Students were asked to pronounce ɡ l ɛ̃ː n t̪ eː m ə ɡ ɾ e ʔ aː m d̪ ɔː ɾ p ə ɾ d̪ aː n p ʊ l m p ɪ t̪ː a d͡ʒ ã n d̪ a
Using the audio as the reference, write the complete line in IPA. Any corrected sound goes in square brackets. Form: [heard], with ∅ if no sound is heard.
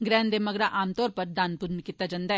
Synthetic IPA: ɡ [ɾ] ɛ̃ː n [d̪] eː m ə ɡ ɾ [a] ʔ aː m [t̪] ɔː ɾ p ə ɾ d̪ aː n p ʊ [ɾ] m [k] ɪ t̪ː a d͡ʒ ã n d̪ a

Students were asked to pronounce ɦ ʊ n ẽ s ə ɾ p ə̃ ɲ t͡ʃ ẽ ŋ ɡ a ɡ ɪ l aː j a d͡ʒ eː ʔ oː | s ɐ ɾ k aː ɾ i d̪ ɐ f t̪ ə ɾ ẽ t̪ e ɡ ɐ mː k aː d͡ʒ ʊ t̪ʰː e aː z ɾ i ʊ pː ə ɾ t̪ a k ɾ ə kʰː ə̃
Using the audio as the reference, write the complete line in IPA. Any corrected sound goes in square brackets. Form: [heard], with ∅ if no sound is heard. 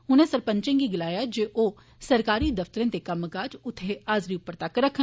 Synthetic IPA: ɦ ʊ n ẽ s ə ɾ p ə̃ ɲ t͡ʃ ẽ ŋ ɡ [i] ɡ ɪ l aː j a d͡ʒ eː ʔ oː | s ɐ ɾ k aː ɾ i d̪ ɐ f t̪ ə ɾ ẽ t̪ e [k] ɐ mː k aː d͡ʒ ʊ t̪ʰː e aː z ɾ i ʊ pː ə ɾ t̪ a k ɾ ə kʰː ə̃

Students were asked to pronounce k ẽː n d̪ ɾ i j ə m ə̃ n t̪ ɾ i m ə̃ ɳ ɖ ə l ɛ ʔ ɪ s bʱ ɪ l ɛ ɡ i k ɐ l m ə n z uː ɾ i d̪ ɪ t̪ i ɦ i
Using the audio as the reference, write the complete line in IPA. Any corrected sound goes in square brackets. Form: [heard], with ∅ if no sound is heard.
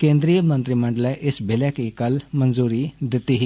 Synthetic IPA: k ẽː n d̪ ɾ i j ə m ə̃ n t̪ ɾ i m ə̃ ɳ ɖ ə l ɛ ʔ ɪ s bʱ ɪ l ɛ [k] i k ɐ l m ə n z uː ɾ i d̪ ɪ t̪ i ɦ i

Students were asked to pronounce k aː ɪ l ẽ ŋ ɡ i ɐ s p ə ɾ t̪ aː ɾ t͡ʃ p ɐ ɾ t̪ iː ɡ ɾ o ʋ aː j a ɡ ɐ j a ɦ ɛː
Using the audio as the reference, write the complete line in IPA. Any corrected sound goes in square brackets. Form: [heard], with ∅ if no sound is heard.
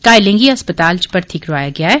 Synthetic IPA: k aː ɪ l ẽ ŋ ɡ i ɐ s p ə [∅] t̪ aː [l] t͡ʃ p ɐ ɾ [t̪ʰ] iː [k] ɾ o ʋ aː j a ɡ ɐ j a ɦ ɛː

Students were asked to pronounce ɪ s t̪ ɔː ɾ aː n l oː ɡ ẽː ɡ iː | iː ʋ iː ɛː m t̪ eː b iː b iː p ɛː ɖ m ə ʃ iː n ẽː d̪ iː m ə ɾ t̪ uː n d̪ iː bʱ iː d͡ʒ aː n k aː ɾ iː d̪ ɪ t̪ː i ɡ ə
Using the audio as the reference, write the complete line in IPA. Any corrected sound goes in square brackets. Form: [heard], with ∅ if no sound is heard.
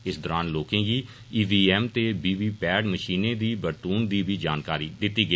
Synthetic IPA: ɪ s [d̪] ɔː ɾ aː n l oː [k] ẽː ɡ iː | iː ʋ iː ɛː m t̪ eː b iː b iː p ɛː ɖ m ə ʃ iː n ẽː d̪ iː [b] ə ɾ t̪ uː n d̪ iː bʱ iː d͡ʒ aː n k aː ɾ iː d̪ ɪ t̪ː [iː] ɡ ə

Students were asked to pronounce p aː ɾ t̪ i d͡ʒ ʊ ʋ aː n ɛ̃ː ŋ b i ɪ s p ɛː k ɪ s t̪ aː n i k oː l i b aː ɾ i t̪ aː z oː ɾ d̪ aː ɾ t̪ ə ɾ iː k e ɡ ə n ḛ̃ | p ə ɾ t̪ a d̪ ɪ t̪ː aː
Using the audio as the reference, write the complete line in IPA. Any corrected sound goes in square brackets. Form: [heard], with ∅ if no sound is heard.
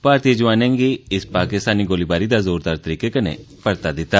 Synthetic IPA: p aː ɾ t̪ i d͡ʒ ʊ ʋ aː n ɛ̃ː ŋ [ɡ] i ɪ s p [aː] k ɪ s t̪ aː n i [ɡ] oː l i b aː ɾ i [d̪] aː z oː ɾ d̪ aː ɾ t̪ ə ɾ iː k e [k] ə n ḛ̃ | p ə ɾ t̪ a d̪ ɪ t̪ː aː

